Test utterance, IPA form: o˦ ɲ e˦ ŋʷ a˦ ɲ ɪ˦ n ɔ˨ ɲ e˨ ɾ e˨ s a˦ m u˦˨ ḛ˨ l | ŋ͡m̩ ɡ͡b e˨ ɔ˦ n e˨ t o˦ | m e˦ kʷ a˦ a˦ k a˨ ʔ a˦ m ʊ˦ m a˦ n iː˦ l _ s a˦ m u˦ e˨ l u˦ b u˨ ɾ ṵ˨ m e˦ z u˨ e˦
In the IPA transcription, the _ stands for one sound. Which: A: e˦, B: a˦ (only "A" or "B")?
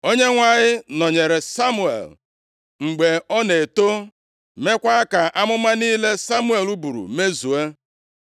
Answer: A